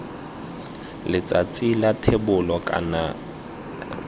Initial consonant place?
alveolar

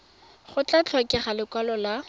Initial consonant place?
uvular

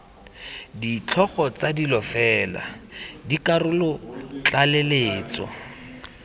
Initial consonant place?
alveolar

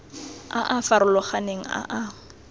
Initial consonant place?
glottal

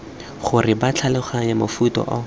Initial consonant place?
uvular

